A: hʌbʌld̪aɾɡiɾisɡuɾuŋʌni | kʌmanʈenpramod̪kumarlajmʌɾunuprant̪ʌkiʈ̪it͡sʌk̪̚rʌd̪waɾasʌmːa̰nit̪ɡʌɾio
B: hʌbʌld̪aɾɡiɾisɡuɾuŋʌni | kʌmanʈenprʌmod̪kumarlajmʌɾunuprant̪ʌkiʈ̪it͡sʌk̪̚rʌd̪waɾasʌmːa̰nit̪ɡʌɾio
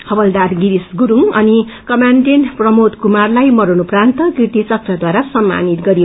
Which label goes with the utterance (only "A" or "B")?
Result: B